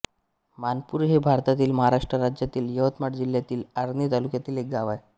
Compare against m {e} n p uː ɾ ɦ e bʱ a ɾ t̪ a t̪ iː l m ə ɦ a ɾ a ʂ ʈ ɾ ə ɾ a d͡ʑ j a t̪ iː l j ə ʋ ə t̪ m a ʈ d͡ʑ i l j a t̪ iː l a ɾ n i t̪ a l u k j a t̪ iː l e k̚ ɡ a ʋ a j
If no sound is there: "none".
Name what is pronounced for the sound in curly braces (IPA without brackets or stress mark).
a